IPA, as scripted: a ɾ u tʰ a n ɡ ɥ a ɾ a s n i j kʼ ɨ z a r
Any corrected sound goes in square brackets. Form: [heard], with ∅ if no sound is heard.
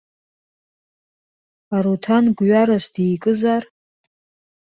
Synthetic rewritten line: a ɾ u tʰ a n ɡ ɥ a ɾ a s [d] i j kʼ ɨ z a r